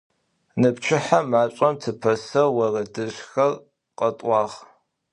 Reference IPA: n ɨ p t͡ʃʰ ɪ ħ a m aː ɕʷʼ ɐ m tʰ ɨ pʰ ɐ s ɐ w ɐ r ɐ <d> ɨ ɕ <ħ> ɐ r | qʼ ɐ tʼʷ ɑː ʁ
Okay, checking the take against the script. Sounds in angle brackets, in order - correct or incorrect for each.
correct, incorrect: x

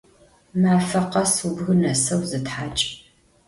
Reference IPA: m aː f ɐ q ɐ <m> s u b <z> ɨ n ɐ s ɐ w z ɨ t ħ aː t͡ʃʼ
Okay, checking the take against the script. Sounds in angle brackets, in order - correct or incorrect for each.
incorrect: none, incorrect: ɣ

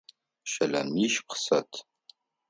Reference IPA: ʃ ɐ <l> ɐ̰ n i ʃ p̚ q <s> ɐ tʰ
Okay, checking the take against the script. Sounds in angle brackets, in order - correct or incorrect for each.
correct, correct

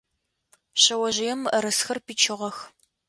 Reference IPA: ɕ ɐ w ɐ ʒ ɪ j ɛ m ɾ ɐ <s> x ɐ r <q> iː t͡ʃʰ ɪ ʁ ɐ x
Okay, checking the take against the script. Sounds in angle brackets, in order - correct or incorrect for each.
correct, incorrect: p

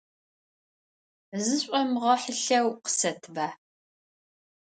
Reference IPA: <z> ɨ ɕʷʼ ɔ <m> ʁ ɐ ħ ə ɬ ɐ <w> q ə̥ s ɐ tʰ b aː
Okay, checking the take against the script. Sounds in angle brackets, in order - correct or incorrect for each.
correct, correct, correct

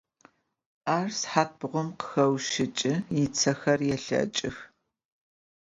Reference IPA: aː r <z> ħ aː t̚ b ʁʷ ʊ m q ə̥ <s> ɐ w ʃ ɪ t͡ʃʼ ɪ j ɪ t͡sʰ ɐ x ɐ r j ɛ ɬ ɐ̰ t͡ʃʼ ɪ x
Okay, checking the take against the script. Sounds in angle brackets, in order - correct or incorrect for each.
incorrect: s, incorrect: x

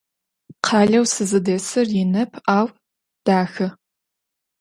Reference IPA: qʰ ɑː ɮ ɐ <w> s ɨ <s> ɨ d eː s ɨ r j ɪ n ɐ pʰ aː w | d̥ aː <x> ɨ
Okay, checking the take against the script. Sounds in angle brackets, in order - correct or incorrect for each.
correct, incorrect: z, correct

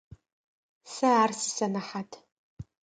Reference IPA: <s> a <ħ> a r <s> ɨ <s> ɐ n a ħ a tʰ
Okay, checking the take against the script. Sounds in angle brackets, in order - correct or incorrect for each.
correct, incorrect: none, correct, correct

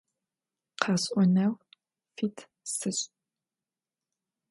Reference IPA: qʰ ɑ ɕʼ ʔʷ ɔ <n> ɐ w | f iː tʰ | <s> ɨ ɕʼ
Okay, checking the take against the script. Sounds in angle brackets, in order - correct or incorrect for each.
correct, correct

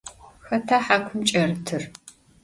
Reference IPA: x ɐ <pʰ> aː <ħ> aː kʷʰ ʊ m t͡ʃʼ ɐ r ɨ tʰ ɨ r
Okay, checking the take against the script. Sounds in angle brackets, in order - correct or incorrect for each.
incorrect: tʰ, correct

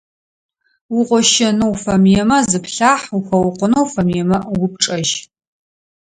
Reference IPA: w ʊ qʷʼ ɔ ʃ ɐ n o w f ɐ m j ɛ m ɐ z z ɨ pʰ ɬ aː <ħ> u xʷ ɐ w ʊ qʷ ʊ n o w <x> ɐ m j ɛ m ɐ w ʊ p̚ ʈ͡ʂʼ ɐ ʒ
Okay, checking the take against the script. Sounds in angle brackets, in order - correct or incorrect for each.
correct, incorrect: f

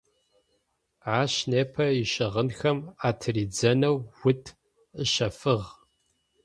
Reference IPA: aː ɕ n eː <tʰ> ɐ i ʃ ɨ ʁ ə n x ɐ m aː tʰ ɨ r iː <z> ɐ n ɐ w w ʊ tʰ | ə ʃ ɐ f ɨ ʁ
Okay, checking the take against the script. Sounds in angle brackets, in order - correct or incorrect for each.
incorrect: pʰ, incorrect: d͡z

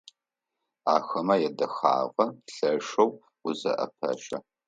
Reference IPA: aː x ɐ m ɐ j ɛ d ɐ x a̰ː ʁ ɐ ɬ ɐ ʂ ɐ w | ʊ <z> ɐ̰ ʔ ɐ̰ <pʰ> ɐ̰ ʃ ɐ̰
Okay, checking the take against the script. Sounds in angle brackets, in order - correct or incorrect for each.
correct, correct

